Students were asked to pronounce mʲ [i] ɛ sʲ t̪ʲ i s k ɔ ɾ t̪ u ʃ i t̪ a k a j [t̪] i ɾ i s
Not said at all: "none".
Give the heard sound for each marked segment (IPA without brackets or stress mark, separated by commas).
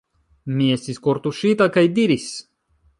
i, d̪